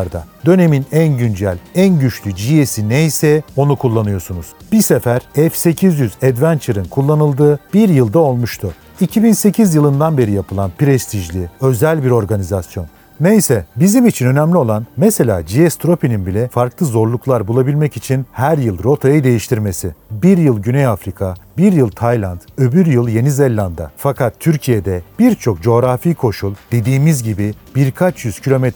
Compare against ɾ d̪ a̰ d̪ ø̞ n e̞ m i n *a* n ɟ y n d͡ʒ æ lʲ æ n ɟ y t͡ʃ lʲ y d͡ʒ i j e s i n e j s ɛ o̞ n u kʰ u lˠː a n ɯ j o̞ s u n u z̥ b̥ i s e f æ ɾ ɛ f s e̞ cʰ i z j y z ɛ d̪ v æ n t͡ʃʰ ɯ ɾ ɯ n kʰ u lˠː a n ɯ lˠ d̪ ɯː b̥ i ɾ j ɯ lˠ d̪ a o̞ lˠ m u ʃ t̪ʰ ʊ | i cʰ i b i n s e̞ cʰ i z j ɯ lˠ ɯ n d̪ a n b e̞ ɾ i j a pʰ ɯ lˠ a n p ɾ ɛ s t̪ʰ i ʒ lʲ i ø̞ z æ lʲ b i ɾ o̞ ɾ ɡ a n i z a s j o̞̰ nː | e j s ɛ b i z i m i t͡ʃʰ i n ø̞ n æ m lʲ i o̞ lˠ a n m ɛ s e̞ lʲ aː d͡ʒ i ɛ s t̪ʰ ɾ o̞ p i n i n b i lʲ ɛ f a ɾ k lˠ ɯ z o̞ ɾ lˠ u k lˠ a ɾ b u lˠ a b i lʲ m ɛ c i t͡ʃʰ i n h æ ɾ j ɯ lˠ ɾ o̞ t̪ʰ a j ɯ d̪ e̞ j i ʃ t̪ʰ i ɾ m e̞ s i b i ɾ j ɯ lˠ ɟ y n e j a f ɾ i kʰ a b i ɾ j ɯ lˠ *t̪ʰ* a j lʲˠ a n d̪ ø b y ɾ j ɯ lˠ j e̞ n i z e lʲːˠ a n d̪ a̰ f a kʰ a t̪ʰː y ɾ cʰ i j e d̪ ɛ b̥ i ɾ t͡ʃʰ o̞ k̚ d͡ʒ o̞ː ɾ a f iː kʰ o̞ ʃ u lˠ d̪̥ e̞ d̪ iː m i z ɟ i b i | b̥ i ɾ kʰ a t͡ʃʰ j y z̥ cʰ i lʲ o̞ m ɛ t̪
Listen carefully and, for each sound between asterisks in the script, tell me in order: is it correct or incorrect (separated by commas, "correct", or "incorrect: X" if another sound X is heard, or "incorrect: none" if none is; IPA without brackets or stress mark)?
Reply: incorrect: æ, correct